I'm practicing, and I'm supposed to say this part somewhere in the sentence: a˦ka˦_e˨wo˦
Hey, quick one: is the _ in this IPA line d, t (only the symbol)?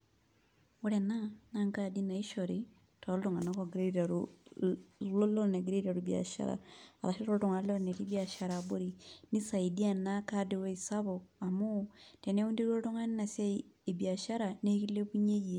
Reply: d